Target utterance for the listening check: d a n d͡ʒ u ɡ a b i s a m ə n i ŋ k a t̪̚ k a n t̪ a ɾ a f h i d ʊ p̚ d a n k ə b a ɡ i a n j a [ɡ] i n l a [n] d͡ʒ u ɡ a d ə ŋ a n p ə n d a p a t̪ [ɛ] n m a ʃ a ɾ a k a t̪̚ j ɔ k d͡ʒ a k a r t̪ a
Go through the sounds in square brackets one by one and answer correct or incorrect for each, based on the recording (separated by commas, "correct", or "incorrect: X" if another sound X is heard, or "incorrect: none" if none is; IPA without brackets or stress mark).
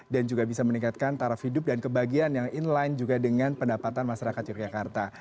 incorrect: ŋ, correct, incorrect: a